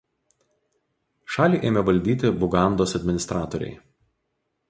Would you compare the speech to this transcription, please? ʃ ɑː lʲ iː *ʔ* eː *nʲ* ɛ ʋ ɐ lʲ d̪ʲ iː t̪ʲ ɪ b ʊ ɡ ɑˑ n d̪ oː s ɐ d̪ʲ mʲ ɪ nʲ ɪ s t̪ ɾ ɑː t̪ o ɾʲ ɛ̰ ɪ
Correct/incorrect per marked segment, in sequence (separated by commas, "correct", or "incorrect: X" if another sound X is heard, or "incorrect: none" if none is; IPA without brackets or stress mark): correct, incorrect: mʲ